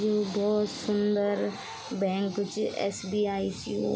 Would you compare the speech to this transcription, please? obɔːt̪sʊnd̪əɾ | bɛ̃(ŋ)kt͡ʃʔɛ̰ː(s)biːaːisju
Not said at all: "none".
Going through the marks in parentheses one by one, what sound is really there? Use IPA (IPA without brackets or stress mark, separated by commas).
ŋ, s